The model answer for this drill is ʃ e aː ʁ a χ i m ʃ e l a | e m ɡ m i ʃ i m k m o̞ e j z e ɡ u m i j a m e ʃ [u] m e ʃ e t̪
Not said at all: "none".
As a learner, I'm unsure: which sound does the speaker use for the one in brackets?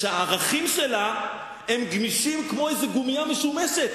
u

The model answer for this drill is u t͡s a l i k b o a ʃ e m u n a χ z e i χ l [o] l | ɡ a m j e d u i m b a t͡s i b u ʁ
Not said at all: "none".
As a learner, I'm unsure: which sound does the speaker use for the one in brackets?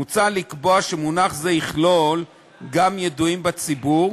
o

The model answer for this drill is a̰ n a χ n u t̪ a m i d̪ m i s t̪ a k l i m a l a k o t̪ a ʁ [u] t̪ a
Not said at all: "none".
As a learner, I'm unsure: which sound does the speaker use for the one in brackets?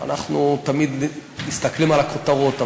o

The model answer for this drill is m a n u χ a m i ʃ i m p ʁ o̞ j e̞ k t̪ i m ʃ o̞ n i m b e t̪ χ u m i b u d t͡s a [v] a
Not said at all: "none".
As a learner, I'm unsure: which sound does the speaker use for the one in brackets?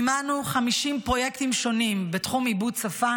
f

